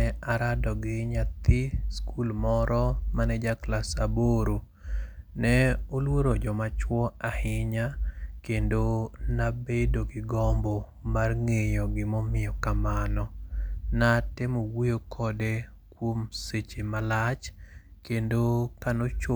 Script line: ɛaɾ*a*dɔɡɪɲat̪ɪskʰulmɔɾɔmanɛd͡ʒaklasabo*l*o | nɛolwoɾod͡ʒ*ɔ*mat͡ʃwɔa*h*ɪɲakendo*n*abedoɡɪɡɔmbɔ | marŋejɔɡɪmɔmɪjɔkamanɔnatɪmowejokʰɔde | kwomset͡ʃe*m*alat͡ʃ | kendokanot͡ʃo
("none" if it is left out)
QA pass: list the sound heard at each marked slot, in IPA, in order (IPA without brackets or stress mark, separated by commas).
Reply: a, ɾ, ɔ, h, n, m